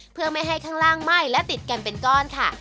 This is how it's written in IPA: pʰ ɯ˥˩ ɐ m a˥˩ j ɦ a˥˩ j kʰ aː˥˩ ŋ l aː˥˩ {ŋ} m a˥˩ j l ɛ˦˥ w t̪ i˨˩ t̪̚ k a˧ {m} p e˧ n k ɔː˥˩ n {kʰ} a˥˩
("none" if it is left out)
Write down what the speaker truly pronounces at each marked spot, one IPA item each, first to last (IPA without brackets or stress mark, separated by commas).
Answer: ŋ, n, kʰ